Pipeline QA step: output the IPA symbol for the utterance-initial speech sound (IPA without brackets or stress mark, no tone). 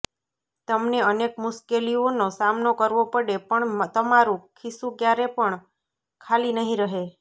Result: t̪